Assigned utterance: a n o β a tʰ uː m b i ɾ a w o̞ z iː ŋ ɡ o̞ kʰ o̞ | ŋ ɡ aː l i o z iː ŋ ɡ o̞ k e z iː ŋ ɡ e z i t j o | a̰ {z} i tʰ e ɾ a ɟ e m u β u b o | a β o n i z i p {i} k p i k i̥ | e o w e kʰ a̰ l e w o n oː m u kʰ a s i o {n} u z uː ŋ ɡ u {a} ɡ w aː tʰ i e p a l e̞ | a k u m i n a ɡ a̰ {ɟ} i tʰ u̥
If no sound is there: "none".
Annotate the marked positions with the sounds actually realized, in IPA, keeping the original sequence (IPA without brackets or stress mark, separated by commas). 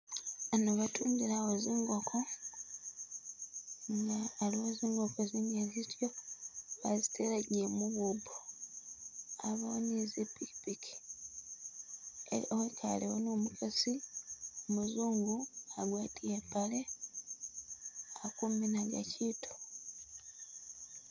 z, i, m, a, c